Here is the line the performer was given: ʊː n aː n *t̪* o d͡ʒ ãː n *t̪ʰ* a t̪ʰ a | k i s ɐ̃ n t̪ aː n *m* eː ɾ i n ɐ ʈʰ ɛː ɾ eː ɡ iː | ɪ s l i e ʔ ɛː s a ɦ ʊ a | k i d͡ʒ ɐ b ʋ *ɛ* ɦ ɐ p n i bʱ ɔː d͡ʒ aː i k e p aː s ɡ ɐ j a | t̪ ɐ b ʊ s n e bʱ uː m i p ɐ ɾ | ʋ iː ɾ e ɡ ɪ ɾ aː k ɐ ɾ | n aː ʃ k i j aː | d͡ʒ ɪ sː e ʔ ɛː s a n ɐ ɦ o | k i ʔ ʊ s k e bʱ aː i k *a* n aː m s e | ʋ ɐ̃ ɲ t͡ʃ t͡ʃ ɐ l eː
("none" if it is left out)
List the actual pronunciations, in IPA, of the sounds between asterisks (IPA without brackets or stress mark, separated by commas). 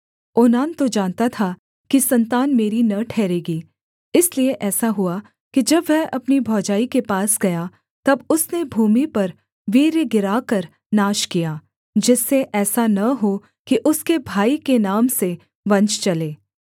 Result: t̪, t̪, m, ɛ, e